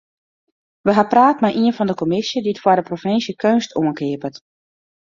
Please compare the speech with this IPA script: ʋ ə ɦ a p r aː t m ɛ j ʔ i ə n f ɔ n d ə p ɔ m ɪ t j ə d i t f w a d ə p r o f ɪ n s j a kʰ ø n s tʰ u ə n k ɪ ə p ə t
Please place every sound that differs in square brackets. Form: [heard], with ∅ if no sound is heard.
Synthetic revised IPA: ʋ ə ɦ a p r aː t m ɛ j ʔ i ə n f ɔ n d ə [k] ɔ m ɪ [s] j ə d i t f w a d ə p r o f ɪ n s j [ə] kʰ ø n s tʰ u ə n k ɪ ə p ə t